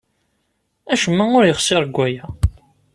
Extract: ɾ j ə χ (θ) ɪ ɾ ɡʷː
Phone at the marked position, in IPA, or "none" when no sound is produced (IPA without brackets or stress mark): s